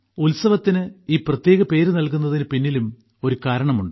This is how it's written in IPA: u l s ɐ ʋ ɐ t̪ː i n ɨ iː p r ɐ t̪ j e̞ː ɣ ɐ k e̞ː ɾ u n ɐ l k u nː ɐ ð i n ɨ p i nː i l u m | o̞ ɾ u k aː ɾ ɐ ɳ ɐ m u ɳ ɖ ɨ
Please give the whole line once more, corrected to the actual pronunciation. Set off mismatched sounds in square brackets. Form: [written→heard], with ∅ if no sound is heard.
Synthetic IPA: u l s ɐ ʋ ɐ t̪ː i n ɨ iː p r ɐ t̪ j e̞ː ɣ ɐ [k→p] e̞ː ɾ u n ɐ l k u nː ɐ ð i n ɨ p i nː i l u m | o̞ ɾ u k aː ɾ ɐ ɳ ɐ m u ɳ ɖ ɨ

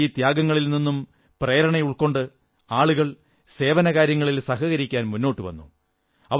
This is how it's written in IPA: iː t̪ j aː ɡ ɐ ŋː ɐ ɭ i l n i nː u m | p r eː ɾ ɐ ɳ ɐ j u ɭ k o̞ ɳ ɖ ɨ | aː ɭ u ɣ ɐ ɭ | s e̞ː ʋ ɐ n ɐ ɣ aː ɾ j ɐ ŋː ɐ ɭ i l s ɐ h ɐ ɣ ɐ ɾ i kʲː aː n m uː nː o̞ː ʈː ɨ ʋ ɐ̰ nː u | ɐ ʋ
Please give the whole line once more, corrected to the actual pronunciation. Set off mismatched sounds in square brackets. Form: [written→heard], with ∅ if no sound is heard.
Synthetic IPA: iː t̪ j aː ɡ ɐ ŋː ɐ ɭ i l n i nː u m | p r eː ɾ ɐ ɳ ɐ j u ɭ k o̞ ɳ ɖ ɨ | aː ɭ u ɣ ɐ ɭ | s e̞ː ʋ ɐ n ɐ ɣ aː ɾ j ɐ ŋː ɐ ɭ i l s ɐ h ɐ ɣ ɐ ɾ i kʲː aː n m [uː→u] nː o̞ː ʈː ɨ ʋ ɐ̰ nː u | ɐ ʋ

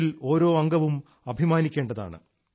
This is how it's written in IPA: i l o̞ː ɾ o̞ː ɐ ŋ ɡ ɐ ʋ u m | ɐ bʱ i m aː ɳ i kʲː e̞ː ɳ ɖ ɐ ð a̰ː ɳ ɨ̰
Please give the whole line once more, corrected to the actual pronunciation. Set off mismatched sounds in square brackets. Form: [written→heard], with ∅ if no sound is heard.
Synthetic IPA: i l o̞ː ɾ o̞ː ɐ ŋ ɡ ɐ ʋ u m | ɐ bʱ i m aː [ɳ→n] i kʲː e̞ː ɳ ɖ ɐ ð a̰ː ɳ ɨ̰

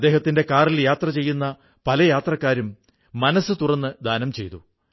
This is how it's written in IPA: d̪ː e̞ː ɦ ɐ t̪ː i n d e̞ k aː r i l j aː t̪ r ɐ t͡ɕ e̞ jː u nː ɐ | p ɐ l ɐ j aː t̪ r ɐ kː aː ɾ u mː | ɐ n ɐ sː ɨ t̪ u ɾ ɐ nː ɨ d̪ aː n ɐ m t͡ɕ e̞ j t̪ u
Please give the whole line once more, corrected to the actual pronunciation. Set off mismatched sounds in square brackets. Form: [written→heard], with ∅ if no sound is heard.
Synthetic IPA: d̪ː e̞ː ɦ ɐ t̪ː i n d e̞ k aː r i l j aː t̪ r ɐ t͡ɕ e̞ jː u nː ɐ | p ɐ l ɐ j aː t̪ r ɐ kː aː ɾ u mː | ɐ n ɐ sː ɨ t̪ u [ɾ→r] ɐ nː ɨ d̪ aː n ɐ m t͡ɕ e̞ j t̪ u

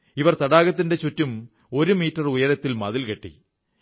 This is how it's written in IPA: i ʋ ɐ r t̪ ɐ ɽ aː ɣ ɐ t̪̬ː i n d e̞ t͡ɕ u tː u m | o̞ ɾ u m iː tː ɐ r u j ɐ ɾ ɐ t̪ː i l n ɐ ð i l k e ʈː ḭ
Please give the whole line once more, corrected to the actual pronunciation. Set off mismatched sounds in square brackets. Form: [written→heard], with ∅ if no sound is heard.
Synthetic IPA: i ʋ ɐ r t̪ ɐ ɽ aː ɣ ɐ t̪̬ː i n d e̞ t͡ɕ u tː u m | o̞ ɾ u m iː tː ɐ r u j ɐ ɾ ɐ t̪ː i l [n→m] ɐ ð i l k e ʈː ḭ

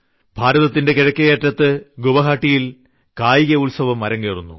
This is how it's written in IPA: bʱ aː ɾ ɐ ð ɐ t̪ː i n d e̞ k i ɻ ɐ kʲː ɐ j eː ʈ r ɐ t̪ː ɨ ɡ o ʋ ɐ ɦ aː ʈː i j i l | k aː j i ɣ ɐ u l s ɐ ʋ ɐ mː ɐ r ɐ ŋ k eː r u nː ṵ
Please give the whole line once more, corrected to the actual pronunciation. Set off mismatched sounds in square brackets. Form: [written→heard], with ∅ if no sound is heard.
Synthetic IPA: bʱ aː ɾ ɐ ð ɐ t̪ː i n d e̞ k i ɻ ɐ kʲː ɐ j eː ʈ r ɐ t̪ː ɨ ɡ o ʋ ɐ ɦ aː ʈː i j i l | k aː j i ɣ ɐ u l s ɐ ʋ ɐ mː ɐ [r→ɾ] ɐ ŋ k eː r u nː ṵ

